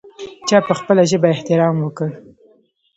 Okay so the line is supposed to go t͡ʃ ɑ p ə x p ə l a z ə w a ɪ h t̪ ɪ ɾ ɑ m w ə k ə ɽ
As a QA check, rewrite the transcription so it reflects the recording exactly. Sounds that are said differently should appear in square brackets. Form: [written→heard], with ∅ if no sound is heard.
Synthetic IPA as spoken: t͡ʃ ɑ p ə x p ə l a [z→ʒ] ə [w→b] a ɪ h t̪ ɪ ɾ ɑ m w ə k ə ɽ